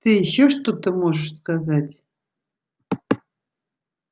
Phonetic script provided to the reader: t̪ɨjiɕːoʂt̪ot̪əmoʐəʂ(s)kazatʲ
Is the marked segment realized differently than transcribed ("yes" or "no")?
no